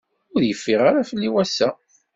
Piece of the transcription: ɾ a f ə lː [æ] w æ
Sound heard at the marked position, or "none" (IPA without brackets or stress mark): i